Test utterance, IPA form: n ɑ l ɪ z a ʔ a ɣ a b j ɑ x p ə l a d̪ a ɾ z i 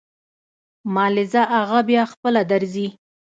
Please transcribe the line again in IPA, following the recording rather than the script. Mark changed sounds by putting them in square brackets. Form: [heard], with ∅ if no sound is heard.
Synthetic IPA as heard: [m] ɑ l ɪ z a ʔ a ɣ a b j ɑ x p ə l a d̪ a ɾ z i